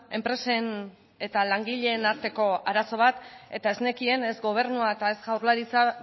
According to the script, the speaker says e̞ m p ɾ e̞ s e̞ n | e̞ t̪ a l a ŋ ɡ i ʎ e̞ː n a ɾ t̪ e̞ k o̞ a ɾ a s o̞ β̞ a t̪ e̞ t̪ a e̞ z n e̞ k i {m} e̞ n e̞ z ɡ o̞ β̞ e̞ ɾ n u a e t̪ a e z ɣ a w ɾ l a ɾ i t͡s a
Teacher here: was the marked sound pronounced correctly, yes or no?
no